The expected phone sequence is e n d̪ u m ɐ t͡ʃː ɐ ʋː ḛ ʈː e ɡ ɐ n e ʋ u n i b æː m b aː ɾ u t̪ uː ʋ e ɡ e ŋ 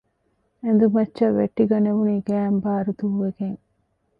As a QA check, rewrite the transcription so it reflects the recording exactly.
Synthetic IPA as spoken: e n d̪ u m ɐ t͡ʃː ɐ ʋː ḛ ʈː i ɡ ɐ n e ʋ u n i ɡ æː m b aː ɾ u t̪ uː ʋ e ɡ e ŋ